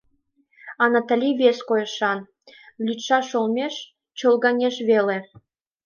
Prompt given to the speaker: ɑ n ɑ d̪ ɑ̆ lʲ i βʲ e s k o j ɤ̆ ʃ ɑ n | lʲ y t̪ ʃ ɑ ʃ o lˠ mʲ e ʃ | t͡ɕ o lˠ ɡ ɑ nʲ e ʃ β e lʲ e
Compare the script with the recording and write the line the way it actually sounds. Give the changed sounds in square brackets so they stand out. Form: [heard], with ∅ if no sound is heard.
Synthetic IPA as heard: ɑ n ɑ [t̪] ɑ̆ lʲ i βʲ e s k o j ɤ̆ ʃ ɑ n | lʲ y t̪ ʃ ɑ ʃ o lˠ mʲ e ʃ | t͡ɕ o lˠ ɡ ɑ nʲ e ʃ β e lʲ e